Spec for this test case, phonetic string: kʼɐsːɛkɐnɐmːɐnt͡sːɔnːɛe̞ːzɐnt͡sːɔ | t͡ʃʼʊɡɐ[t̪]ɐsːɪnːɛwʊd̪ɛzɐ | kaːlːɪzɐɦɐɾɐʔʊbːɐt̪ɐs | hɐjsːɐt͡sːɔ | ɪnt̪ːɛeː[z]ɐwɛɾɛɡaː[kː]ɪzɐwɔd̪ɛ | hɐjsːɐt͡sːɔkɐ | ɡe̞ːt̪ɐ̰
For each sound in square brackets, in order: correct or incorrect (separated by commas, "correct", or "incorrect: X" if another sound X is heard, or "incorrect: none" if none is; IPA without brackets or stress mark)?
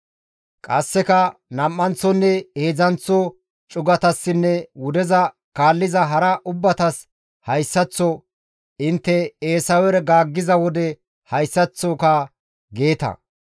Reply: correct, incorrect: s, incorrect: ɡː